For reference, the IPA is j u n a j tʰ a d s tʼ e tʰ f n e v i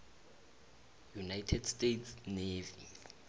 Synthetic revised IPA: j u n a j tʰ ɛ d s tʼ e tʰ s n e v i